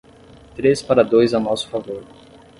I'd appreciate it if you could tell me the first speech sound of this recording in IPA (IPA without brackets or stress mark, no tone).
t̪